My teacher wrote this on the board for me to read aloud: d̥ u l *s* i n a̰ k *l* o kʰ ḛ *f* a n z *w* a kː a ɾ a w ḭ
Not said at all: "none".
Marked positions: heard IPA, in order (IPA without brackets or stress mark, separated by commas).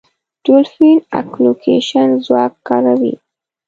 f, l, ʃ, w